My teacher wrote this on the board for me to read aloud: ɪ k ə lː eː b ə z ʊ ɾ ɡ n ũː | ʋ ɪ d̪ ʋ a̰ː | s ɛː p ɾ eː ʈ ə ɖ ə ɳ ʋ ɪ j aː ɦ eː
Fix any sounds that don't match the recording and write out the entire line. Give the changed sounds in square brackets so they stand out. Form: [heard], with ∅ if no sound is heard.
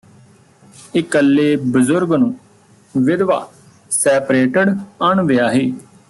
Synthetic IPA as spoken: ɪ k ə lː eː b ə z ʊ ɾ ɡ n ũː | ʋ ɪ d̪ ʋ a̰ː | s ɛː p ɾ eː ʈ ə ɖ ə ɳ ʋ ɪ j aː ɦ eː